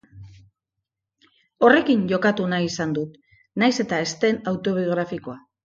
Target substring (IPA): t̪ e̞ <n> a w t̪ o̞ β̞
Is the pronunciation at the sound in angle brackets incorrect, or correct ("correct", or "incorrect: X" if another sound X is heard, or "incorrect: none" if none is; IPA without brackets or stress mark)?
correct